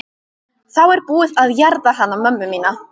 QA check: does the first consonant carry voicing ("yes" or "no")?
no